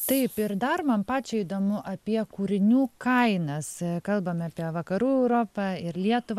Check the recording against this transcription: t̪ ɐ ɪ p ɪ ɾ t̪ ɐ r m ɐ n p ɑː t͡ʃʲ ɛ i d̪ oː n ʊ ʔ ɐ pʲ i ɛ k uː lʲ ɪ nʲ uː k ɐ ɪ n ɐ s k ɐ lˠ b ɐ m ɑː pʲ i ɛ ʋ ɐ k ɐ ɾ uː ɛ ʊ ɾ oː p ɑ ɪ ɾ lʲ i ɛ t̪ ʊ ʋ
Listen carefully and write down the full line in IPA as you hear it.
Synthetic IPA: t̪ ɐ ɪ p ɪ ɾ d̪ ɐ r m ɐ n p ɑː t͡ʃʲ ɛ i d̪ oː m ʊ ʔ ɐ pʲ i ɛ k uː ɾʲ ɪ nʲ uː k ɐ ɪ n ɐ s k ɐ lˠ b ɐ m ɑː pʲ i ɛ ʋ ɐ k ɐ ɾ uː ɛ ʊ ɾ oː p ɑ ɪ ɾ lʲ i ɛ t̪ ʊ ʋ